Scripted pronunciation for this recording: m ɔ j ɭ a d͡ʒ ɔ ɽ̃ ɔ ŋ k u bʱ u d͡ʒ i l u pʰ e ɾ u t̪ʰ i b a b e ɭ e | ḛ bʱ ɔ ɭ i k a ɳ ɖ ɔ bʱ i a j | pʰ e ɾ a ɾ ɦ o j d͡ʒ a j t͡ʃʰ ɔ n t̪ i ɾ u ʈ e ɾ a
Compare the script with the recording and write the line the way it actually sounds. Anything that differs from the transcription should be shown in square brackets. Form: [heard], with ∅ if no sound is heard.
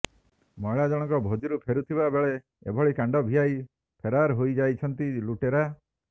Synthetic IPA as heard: m ɔ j ɭ a d͡ʒ ɔ ɽ̃ ɔ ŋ k [ɔ] bʱ [o] d͡ʒ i [ɾ] u pʰ e ɾ u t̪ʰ i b a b e ɭ e | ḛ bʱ ɔ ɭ i k a ɳ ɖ ɔ bʱ i a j | pʰ e ɾ a ɾ ɦ o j d͡ʒ a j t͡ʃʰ ɔ n t̪ i [l] u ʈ e ɾ a

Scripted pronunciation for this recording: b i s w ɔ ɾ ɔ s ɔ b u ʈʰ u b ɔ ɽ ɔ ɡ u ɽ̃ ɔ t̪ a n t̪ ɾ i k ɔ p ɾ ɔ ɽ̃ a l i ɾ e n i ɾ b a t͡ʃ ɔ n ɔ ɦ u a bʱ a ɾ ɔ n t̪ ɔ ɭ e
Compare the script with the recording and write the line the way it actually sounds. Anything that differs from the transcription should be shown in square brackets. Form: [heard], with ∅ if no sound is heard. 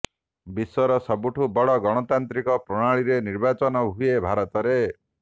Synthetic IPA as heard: b i s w ɔ ɾ ɔ s ɔ b u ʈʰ u b ɔ ɽ ɔ ɡ [ɔ] ɽ̃ ɔ t̪ a n t̪ ɾ i k ɔ p ɾ ɔ ɽ̃ a [ɭ] i ɾ e n i ɾ b a t͡ʃ ɔ n ɔ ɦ u [e] bʱ a ɾ ɔ [∅] t̪ ɔ [ɾ] e

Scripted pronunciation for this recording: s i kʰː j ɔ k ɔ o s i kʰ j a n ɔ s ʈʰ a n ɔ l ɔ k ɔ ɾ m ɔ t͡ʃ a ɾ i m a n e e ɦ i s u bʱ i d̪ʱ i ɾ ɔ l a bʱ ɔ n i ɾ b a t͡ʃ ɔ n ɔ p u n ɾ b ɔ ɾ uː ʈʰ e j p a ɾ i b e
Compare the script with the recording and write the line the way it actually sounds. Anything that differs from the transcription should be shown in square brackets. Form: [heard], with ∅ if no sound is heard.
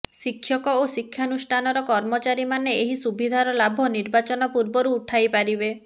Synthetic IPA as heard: s i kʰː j ɔ k ɔ o s i kʰ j a n [u] s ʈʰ a n ɔ [ɾ] ɔ k ɔ ɾ m ɔ t͡ʃ a ɾ i m a n e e ɦ i s u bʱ i d̪ʱ [a] ɾ ɔ l a bʱ ɔ n i ɾ b a t͡ʃ ɔ n ɔ p u [∅] ɾ b ɔ ɾ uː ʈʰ [a] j p a ɾ i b e

